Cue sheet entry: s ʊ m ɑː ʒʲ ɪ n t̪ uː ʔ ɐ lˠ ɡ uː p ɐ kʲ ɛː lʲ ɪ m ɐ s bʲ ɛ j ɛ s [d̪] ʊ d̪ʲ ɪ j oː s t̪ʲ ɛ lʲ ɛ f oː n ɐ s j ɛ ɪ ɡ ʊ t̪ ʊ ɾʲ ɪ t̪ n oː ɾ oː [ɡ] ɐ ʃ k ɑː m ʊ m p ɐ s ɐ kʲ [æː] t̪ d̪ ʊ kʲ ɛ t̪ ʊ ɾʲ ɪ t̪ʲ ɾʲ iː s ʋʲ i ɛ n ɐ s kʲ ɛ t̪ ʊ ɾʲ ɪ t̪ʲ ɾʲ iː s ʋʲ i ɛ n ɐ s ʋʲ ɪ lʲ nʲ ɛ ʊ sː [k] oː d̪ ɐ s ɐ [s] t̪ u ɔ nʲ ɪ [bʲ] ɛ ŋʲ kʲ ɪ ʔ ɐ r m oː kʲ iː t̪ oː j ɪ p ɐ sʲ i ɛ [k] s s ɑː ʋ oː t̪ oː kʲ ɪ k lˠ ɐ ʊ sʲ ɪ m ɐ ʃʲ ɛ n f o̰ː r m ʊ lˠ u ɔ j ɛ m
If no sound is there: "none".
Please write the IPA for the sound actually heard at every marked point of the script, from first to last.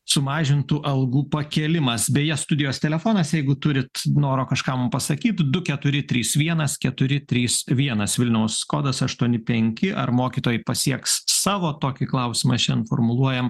t̪, k, iː, k, ʃ, pʲ, k

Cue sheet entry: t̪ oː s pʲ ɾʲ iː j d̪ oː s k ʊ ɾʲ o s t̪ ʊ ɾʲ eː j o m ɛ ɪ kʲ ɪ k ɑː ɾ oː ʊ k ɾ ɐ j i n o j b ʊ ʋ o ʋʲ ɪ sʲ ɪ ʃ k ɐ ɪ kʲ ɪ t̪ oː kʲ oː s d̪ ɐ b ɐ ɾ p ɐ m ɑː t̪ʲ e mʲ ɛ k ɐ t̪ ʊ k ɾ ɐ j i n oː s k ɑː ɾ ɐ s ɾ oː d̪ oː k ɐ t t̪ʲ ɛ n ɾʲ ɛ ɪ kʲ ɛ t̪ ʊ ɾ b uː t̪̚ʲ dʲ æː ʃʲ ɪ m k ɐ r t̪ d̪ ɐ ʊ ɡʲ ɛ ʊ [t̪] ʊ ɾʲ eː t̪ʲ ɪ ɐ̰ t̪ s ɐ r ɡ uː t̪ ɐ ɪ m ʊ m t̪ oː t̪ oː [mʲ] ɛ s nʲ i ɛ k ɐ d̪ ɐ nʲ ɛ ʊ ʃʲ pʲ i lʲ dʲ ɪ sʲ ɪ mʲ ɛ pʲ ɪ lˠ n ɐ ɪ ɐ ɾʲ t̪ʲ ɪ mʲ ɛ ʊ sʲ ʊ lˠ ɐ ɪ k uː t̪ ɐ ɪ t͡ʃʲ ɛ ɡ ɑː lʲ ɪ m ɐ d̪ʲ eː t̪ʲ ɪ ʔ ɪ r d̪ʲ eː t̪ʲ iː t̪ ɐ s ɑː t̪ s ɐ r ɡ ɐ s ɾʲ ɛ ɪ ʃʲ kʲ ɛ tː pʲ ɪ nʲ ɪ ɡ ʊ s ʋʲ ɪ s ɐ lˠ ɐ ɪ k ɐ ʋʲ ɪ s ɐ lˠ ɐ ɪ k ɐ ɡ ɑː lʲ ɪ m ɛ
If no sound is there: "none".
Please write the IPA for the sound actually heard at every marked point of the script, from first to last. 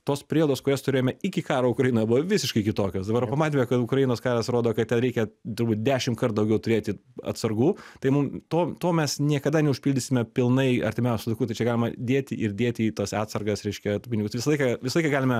t̪, mʲ

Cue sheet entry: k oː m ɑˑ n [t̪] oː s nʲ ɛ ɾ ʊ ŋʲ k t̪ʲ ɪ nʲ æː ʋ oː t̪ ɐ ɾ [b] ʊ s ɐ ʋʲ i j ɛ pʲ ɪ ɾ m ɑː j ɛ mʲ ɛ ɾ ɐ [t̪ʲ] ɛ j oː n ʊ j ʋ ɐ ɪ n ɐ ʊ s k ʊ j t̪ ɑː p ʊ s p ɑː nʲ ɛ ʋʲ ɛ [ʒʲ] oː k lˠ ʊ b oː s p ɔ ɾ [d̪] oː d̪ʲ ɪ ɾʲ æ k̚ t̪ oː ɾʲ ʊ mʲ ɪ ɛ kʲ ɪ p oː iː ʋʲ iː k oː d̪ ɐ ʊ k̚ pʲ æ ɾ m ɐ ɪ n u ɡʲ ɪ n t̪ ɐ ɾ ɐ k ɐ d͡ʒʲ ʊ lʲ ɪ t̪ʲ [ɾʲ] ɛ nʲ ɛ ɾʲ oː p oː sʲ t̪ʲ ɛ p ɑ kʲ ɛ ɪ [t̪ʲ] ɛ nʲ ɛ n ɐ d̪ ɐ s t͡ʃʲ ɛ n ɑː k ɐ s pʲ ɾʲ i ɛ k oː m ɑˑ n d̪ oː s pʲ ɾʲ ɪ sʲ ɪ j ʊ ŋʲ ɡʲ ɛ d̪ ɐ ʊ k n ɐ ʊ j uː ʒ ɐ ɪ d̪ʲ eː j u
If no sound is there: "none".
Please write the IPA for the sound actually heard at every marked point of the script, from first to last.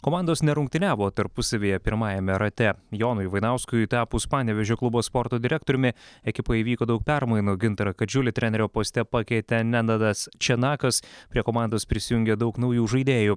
d̪, p, t̪ʲ, ʒʲ, t̪, ɾʲ, t̪ʲ

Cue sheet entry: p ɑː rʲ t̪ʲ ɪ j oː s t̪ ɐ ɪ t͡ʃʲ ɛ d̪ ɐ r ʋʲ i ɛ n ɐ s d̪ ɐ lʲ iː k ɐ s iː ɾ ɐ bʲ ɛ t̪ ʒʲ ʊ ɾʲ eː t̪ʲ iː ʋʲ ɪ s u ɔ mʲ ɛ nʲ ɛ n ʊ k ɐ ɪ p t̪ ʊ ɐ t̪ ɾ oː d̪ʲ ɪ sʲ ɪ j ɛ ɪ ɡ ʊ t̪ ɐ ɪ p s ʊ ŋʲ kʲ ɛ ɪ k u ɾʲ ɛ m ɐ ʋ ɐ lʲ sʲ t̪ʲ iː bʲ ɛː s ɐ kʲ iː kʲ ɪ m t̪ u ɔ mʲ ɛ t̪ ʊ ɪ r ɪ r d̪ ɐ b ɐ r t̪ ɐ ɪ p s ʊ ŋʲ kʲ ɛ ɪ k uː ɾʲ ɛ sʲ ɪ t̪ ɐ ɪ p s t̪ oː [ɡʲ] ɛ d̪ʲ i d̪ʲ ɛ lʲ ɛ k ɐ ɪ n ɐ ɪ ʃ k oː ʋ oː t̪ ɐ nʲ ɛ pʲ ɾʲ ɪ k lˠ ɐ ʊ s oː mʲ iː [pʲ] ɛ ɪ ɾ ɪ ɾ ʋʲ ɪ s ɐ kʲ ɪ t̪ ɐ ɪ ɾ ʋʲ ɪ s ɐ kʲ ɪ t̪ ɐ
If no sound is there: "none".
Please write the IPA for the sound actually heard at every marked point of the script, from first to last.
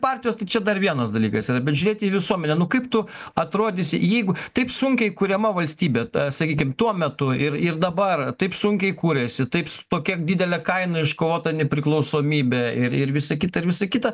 kʲ, bʲ

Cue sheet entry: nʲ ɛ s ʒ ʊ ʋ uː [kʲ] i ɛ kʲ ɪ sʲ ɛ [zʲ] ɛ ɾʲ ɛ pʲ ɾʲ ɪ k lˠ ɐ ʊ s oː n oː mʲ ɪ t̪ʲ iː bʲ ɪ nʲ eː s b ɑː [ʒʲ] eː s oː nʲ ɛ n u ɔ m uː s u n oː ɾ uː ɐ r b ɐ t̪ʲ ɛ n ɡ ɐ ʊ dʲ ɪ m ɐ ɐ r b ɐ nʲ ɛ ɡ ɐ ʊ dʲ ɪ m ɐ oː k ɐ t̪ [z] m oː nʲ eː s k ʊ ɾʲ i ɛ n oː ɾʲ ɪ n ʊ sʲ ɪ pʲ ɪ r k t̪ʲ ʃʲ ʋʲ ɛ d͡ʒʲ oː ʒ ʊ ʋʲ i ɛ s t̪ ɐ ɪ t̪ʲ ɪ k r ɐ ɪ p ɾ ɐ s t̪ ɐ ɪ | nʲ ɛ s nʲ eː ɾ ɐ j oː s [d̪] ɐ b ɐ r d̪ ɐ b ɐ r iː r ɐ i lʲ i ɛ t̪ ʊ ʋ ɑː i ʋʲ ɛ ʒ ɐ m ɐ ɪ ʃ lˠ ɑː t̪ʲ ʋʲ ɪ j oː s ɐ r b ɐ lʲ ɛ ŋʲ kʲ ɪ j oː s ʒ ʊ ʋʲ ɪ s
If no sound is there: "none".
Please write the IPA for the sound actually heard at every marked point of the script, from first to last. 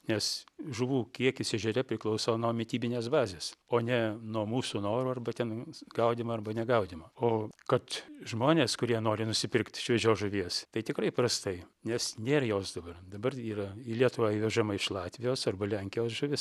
kʲ, ʒʲ, zʲ, ʒ, d̪

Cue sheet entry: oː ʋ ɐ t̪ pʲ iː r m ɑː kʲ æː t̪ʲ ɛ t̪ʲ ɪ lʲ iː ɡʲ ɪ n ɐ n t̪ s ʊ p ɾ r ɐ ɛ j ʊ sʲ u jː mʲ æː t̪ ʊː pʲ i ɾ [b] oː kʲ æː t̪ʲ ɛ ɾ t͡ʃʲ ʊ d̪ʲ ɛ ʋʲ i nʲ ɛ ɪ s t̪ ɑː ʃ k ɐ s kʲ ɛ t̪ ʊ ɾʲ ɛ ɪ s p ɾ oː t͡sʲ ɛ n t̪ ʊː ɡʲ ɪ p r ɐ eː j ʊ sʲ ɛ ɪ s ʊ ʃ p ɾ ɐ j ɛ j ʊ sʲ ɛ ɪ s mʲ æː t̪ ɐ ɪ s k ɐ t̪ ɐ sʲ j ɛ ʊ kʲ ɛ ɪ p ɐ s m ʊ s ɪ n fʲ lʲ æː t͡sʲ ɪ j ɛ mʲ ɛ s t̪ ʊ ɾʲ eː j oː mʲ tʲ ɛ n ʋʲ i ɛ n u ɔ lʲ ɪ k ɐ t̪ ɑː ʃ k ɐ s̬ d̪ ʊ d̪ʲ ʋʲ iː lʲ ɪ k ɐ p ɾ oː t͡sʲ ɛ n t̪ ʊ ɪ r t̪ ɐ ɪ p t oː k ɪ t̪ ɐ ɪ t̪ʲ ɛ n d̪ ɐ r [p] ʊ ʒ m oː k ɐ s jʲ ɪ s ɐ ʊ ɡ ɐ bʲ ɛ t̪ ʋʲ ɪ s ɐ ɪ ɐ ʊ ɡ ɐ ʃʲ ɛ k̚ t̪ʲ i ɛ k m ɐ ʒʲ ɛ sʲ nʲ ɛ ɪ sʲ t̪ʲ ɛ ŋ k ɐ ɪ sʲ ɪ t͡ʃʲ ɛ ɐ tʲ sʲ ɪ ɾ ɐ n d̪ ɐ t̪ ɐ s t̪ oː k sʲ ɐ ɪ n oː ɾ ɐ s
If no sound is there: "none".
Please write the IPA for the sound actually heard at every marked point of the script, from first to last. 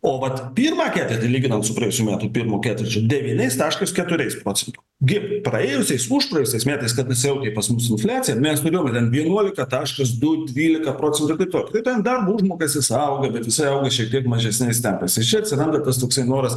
m, b

